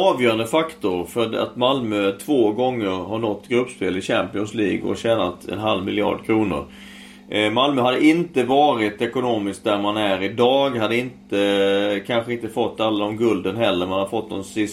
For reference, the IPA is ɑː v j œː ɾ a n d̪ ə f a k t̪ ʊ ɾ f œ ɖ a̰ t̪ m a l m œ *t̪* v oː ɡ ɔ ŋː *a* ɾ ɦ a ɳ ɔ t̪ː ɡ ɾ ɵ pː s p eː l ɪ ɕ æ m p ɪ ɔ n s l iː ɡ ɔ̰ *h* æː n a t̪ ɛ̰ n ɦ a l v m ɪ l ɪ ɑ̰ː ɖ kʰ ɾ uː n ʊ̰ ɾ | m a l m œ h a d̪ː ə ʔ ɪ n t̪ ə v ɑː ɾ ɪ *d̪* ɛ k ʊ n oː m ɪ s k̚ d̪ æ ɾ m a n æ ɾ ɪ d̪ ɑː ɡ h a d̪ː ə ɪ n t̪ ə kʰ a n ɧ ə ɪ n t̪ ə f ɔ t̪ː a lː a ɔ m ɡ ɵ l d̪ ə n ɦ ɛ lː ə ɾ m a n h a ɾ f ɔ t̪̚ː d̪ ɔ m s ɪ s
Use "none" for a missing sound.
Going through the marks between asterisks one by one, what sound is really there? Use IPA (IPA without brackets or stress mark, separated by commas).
t̪ʰ, ə, ɕ, t̪